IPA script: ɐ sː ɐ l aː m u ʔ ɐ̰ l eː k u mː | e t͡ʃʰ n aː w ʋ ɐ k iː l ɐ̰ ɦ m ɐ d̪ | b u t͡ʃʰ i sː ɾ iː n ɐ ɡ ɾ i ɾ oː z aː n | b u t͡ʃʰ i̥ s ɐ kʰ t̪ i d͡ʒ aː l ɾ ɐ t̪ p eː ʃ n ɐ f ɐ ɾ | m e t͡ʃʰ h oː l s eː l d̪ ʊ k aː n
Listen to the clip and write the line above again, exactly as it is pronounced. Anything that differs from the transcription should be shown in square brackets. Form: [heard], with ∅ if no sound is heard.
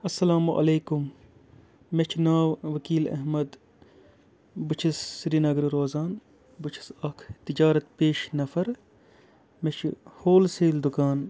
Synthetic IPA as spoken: ɐ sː ɐ l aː m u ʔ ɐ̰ l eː k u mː | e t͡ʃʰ n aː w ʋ ɐ k iː l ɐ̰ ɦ m ɐ d̪ | b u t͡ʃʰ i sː ɾ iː n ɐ ɡ ɾ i ɾ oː z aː n | b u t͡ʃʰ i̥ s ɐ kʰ t̪ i d͡ʒ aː [∅] ɾ ɐ t̪ p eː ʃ n ɐ f ɐ ɾ | m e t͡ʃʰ h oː l s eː l d̪ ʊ k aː n

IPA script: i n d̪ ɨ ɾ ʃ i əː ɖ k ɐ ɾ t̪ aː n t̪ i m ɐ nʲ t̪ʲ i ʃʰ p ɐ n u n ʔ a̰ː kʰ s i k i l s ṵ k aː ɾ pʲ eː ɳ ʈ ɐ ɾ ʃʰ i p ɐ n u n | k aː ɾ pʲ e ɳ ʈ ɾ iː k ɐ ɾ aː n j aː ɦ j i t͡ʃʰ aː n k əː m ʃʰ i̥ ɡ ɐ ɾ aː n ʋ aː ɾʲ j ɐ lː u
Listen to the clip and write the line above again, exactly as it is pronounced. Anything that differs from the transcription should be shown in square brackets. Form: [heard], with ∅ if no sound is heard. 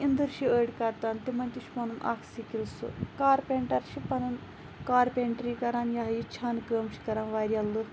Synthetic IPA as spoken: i n d̪ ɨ ɾ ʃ i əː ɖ k ɐ ɾ t̪ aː n t̪ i m ɐ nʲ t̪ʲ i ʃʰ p ɐ n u n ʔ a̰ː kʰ s i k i l s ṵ k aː ɾ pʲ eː ɳ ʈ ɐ ɾ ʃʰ i p ɐ n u n | k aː ɾ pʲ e ɳ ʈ ɾ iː k ɐ ɾ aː n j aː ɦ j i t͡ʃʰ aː n k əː m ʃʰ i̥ [k] ɐ ɾ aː n ʋ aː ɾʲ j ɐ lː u

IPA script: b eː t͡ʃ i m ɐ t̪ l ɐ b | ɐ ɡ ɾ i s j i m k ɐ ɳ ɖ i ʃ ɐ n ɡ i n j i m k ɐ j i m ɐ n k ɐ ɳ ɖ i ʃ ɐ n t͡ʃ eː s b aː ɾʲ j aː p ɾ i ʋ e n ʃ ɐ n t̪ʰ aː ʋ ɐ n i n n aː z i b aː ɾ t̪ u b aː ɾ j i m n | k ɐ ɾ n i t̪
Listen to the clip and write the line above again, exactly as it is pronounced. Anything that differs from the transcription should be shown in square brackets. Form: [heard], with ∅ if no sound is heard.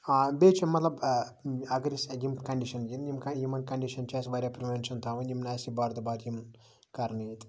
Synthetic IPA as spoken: b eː t͡ʃ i m ɐ t̪ l ɐ b | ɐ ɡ ɾ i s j i m k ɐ ɳ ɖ i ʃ ɐ n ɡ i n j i m k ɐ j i m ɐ n k ɐ ɳ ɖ i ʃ ɐ n t͡ʃ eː s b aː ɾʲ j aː p ɾ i ʋ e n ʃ ɐ n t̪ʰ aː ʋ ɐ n i [m] n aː [s] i b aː ɾ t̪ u b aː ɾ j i m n | k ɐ ɾ n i t̪

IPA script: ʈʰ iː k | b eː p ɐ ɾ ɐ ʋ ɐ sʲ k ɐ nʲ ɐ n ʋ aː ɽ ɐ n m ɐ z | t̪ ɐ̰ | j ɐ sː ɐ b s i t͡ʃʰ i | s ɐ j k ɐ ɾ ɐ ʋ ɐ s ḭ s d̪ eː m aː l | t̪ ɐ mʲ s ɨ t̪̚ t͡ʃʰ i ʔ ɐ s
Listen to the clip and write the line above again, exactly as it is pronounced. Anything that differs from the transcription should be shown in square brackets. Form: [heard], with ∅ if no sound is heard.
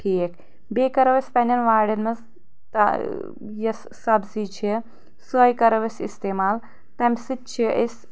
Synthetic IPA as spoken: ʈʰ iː k | b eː [k] ɐ ɾ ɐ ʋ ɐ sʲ [p] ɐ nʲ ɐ n ʋ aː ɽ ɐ n m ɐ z | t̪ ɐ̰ | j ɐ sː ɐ b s i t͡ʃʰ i | s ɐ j k ɐ ɾ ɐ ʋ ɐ s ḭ s [t̪] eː m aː l | t̪ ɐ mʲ s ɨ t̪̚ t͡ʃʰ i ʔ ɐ s

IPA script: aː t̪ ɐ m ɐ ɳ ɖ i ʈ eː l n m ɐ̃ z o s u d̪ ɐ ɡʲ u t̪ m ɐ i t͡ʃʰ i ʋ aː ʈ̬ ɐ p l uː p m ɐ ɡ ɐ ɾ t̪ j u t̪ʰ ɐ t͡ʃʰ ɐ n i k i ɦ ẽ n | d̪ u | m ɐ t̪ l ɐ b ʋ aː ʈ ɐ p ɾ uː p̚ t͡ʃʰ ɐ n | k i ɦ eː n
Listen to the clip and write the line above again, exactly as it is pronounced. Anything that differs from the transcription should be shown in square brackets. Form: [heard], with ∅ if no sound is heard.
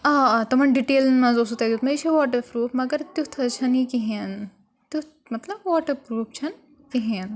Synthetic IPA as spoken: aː t̪ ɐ m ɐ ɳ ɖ i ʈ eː l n m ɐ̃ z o s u [t̪] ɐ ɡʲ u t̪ m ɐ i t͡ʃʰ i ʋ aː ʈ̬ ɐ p [ɾ] uː p m ɐ ɡ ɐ ɾ t̪ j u t̪ʰ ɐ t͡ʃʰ ɐ n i k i ɦ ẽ n | [t̪] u | m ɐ t̪ l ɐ b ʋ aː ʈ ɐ p ɾ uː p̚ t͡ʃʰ ɐ n | k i ɦ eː n

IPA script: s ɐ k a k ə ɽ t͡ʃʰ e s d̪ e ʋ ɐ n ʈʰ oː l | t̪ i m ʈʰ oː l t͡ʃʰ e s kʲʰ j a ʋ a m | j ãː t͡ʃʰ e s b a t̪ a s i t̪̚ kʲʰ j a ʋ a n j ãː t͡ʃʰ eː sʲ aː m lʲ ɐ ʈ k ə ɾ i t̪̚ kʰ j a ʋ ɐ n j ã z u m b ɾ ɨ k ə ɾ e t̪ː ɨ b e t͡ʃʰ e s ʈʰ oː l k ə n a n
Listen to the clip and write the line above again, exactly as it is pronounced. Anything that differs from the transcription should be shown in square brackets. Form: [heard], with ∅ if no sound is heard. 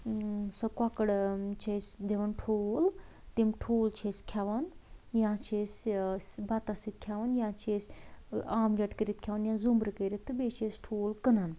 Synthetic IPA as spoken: s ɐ k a k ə ɽ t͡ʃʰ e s d̪ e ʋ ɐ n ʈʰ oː l | t̪ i m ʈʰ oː l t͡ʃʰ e s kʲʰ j a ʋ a [n] | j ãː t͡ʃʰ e s b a t̪ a s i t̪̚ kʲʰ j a ʋ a n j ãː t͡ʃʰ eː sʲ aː m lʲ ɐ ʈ k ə ɾ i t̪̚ kʰ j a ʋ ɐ n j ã z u m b ɾ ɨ k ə ɾ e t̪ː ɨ b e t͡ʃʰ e s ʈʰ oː l k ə n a n

